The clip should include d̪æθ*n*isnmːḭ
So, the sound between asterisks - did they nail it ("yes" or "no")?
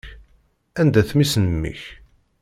no